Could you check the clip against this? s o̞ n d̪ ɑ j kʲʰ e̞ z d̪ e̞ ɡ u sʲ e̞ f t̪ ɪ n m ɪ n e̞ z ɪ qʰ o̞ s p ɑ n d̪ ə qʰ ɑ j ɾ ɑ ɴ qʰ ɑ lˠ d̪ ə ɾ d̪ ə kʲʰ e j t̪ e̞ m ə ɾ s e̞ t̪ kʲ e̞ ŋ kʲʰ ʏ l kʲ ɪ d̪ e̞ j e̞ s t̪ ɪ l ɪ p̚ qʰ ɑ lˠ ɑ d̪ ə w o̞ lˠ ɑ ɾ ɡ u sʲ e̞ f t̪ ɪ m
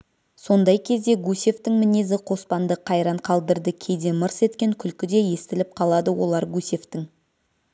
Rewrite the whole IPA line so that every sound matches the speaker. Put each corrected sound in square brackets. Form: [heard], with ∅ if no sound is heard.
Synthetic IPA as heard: s o̞ n d̪ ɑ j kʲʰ e̞ z d̪ e̞ ɡ u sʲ e̞ f t̪ ɪ [ŋ] m ɪ n e̞ z ɪ qʰ o̞ s p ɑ n d̪ ə qʰ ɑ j ɾ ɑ ɴ qʰ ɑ lˠ d̪ ə ɾ d̪ ə kʲʰ e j [d̪] e̞ m ə ɾ s e̞ t̪ kʲ e̞ ŋ kʲʰ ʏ l kʲ ɪ d̪ e̞ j e̞ s t̪ ɪ l ɪ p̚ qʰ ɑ lˠ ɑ d̪ ə w o̞ lˠ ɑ ɾ ɡ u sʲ e̞ f t̪ ɪ [ŋ]